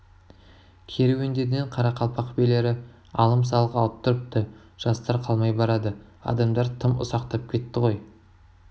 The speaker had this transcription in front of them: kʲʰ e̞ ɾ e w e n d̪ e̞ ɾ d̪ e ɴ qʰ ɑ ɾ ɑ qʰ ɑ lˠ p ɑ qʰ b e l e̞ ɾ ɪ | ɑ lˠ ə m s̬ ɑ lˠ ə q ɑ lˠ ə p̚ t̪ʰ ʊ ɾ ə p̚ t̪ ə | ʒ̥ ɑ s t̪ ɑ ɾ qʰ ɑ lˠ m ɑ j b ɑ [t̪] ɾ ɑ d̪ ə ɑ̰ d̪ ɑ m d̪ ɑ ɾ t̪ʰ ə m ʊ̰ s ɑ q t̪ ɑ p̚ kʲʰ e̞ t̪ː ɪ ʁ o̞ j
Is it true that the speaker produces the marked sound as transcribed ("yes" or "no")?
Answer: no